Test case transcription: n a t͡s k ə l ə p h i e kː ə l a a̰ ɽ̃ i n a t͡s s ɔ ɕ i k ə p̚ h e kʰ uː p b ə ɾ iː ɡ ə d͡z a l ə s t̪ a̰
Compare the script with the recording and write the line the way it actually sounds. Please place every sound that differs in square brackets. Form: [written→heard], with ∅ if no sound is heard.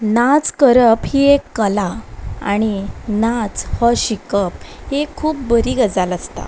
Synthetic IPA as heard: n a t͡s k ə [l→ɾ] ə p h i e kː ə l a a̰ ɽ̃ i n a t͡s [s→h] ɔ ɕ i k ə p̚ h e kʰ uː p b ə ɾ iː ɡ ə d͡z a l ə s t̪ a̰